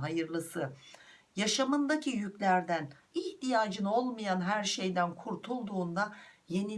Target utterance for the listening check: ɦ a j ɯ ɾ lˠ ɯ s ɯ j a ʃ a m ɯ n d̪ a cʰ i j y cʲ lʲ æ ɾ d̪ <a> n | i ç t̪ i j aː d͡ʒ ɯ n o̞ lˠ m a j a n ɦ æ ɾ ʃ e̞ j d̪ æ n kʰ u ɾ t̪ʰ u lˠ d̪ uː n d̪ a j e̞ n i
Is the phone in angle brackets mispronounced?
yes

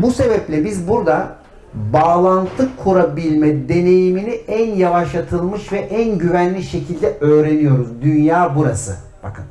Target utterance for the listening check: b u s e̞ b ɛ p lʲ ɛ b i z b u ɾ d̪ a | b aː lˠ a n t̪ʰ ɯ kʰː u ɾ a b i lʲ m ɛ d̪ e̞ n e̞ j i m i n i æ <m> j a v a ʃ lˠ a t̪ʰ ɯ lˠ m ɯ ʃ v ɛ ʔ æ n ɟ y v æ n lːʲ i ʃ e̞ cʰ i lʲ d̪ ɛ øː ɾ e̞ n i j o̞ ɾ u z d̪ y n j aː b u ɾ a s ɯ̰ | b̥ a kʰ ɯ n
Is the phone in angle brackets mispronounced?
yes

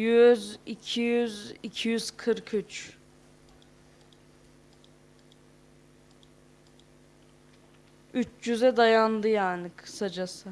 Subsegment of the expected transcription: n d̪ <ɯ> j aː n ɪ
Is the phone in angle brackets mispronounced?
no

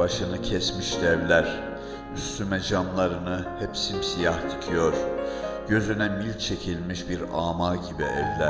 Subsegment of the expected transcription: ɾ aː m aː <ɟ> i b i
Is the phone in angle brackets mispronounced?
no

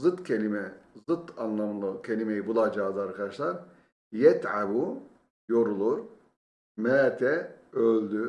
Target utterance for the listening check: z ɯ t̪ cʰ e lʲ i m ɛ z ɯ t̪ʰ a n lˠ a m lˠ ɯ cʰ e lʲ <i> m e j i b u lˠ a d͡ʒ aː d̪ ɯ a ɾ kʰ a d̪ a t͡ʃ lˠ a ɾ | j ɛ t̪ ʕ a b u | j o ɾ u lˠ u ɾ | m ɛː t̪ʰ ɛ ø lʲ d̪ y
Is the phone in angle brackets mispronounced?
no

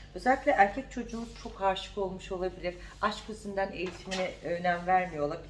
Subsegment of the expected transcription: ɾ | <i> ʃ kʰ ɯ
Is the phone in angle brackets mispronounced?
yes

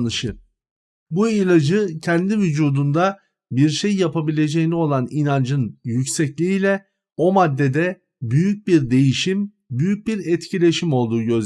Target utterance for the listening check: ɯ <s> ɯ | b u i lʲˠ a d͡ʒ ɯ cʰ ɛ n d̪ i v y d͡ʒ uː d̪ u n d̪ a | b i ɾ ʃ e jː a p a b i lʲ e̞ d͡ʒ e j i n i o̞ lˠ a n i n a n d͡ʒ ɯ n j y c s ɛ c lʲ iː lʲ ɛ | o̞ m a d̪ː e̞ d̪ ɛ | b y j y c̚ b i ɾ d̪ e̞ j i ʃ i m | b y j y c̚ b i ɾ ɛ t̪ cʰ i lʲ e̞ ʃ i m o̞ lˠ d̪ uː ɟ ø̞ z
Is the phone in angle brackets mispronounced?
yes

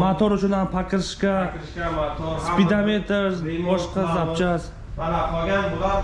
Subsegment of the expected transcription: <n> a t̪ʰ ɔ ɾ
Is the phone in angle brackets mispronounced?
yes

